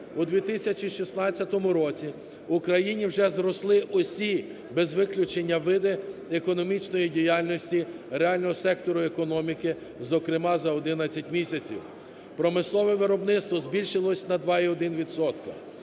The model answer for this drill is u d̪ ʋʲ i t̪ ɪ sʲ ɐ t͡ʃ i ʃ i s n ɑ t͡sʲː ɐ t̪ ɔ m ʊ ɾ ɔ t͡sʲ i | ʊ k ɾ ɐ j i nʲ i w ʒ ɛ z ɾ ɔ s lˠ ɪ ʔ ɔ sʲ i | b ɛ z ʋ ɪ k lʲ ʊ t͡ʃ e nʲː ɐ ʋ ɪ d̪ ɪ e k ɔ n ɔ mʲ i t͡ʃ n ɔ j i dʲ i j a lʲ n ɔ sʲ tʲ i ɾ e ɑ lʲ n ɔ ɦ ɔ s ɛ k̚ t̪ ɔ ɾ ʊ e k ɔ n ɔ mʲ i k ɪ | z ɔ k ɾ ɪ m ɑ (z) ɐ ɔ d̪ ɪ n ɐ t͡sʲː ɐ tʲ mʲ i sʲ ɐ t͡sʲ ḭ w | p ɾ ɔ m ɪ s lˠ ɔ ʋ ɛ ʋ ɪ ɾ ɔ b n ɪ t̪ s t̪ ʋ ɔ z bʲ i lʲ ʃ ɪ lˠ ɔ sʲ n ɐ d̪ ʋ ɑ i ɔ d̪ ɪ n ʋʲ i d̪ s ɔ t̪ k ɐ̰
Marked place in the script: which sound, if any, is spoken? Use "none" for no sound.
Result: z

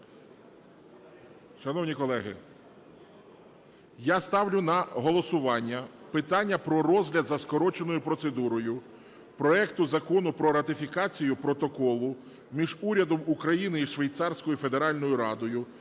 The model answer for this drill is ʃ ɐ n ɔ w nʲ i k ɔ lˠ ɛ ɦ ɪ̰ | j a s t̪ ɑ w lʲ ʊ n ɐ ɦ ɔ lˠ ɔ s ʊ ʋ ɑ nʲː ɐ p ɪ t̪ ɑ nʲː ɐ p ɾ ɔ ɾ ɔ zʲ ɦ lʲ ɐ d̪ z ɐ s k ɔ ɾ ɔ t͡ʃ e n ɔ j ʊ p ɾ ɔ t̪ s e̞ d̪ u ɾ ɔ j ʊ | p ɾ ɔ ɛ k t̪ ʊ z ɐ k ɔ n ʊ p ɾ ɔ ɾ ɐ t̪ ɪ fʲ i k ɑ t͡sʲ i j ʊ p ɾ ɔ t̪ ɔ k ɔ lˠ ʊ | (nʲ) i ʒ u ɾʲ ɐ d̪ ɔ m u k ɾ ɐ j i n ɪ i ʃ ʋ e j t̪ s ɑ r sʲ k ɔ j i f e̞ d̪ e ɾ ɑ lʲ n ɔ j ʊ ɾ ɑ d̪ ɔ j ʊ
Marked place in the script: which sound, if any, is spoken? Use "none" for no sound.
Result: mʲ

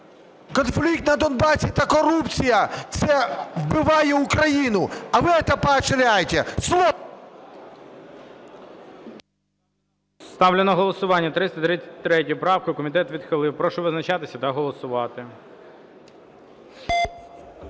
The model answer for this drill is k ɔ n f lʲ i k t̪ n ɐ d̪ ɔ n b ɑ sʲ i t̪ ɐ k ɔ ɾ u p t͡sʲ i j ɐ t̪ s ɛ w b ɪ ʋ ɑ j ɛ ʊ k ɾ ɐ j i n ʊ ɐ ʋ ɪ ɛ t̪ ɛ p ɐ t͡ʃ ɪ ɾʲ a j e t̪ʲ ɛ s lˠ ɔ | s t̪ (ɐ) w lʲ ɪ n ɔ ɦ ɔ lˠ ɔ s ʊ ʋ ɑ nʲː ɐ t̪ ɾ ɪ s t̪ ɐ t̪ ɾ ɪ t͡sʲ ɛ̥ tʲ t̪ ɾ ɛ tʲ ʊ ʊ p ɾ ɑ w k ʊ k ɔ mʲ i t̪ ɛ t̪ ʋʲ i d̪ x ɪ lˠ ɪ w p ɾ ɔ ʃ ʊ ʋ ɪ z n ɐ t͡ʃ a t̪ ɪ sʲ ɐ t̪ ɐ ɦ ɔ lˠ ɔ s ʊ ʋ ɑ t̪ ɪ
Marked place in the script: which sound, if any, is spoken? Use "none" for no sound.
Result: ɑ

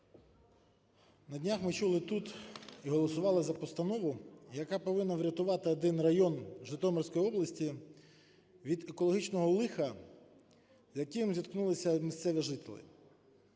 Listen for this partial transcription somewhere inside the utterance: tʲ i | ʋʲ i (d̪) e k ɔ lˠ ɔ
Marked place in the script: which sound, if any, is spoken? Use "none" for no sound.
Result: d̪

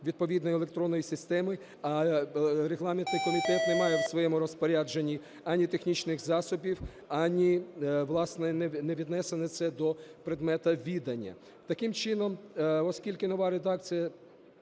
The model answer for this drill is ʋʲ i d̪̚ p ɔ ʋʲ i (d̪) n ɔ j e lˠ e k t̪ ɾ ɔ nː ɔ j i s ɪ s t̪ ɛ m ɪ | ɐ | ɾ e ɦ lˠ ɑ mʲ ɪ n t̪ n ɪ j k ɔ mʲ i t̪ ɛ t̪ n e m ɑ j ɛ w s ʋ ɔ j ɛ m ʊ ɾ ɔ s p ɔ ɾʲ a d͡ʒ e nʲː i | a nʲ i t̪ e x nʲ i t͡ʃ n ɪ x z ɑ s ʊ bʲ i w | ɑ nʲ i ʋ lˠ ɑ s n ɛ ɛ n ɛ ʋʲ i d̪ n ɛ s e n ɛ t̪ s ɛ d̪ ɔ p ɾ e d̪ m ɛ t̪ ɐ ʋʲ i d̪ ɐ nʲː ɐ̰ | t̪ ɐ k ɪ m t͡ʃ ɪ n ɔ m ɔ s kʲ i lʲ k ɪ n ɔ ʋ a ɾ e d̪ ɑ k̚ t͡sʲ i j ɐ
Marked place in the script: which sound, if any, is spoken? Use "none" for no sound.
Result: d̪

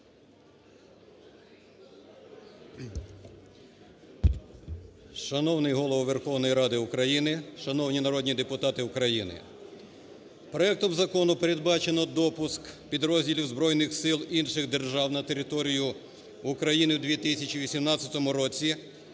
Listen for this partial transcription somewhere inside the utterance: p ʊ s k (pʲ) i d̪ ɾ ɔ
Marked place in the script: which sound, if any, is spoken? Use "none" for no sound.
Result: pʲ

